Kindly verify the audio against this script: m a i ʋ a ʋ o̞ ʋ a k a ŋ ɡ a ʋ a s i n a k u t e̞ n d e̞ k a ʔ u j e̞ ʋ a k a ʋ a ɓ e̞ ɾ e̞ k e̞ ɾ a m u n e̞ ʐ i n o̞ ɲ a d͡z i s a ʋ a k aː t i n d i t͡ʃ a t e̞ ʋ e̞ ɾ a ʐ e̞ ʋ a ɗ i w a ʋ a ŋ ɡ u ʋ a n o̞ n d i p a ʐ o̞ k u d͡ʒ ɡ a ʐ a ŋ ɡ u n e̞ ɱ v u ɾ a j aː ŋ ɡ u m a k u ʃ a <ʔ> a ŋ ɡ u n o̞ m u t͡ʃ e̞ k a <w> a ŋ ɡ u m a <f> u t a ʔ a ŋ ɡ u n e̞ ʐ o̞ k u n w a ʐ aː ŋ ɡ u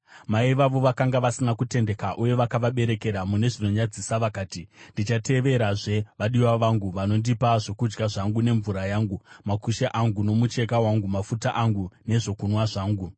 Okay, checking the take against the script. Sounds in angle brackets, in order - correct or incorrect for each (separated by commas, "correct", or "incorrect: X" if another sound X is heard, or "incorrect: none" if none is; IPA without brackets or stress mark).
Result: correct, correct, correct